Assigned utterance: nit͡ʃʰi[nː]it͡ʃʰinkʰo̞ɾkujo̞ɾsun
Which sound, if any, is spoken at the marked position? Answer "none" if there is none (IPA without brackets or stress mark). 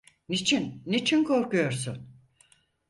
nː